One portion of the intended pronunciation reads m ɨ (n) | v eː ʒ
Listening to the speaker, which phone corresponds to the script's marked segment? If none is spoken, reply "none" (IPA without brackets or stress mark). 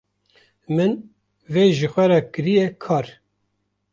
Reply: n